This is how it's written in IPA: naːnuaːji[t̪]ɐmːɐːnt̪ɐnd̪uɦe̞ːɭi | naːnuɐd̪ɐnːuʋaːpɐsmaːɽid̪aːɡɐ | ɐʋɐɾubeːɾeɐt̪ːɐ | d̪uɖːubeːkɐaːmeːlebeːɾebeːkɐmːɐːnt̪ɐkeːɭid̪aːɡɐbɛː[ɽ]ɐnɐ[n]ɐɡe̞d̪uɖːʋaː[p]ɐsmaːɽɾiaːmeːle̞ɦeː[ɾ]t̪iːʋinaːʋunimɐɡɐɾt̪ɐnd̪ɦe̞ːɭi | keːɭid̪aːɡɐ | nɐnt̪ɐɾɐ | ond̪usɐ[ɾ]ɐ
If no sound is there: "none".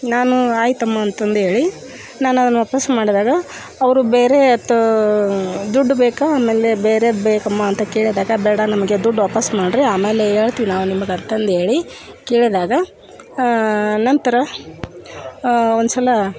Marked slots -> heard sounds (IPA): t̪, ɽ, m, p, ɭ, l

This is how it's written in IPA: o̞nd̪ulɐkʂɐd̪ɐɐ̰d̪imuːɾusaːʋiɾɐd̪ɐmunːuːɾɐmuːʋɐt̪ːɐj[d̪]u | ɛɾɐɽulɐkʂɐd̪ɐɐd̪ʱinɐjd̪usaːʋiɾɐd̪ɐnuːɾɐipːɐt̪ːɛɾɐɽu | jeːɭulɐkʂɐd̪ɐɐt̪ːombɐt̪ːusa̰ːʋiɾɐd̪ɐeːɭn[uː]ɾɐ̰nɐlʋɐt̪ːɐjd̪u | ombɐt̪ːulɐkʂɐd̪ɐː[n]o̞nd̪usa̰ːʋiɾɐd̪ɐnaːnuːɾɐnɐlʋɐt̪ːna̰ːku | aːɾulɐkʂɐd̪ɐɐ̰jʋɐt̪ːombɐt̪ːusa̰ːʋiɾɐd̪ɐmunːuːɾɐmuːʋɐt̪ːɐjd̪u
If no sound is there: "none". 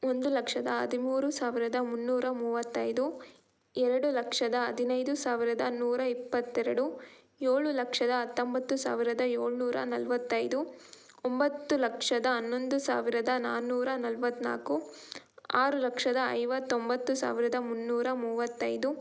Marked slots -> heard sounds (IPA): d̪, uː, nː

